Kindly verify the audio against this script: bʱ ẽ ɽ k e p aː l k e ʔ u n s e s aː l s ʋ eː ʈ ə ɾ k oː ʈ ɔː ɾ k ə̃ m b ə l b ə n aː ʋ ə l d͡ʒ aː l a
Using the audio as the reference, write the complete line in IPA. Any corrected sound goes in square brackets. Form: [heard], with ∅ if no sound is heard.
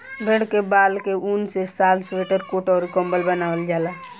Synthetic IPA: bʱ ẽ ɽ k e [b] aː l k e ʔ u n s e s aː l s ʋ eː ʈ ə ɾ k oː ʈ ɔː ɾ k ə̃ m b ə l b ə n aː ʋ ə l d͡ʒ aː l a